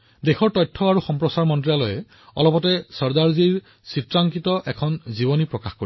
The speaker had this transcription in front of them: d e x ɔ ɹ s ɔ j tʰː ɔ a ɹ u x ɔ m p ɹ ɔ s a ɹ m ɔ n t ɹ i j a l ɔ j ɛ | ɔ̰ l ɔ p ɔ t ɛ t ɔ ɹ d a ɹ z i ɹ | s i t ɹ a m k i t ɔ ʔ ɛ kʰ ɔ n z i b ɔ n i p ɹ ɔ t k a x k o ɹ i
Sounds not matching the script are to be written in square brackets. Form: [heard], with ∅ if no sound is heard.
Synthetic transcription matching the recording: d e x ɔ ɹ [t] ɔ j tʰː ɔ a ɹ u x ɔ m p ɹ ɔ s a ɹ m ɔ n t ɹ i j a l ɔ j ɛ | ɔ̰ l ɔ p ɔ t ɛ [s] ɔ ɹ d a ɹ z i ɹ | s i t ɹ a [ŋ] k i t ɔ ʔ ɛ kʰ ɔ n z i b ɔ n i p ɹ ɔ [∅] k a x k o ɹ i